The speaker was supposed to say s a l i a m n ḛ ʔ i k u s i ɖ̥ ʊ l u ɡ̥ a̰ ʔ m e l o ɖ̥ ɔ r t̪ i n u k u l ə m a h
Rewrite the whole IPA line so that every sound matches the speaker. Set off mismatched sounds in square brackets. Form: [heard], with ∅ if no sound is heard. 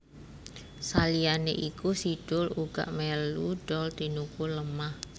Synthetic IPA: s a l i a [∅] n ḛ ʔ i k u s i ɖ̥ ʊ l u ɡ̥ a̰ ʔ m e l [u] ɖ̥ ɔ [l] t̪ i n u k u l ə m a h